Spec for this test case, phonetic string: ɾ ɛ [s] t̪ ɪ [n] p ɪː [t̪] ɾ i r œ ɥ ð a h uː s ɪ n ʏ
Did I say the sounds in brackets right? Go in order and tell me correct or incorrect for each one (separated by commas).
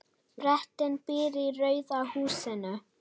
incorrect, correct, incorrect